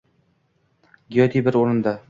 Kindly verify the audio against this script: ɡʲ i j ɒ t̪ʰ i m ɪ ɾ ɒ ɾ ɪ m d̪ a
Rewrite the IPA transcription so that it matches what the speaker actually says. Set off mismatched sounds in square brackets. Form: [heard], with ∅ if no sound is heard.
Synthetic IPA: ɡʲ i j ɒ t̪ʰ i [b] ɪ ɾ [o] ɾ ɪ [n] d̪ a